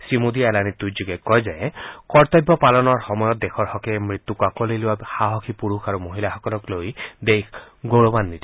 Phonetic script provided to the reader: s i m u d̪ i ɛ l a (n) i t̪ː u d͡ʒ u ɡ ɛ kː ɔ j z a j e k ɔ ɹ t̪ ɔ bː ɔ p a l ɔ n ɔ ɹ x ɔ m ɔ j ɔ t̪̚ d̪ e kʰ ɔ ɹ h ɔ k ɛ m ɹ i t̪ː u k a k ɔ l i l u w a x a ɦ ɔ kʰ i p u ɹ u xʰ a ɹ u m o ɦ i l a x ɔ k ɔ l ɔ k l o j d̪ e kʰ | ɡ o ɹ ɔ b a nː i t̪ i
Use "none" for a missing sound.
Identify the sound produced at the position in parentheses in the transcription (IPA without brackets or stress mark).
n